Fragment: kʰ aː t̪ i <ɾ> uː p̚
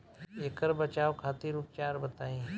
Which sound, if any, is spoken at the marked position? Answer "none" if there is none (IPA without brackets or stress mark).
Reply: ɾ